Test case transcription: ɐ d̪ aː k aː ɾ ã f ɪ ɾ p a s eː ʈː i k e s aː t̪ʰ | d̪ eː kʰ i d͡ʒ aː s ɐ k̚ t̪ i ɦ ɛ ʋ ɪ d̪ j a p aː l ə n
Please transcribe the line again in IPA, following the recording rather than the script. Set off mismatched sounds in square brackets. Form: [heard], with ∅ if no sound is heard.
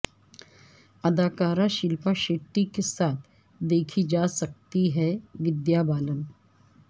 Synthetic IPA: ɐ d̪ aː k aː ɾ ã [ʃ] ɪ [l] p a [ʃ] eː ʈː i k e s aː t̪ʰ | d̪ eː kʰ i d͡ʒ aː s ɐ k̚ t̪ i ɦ ɛ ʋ ɪ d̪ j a [b] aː l ə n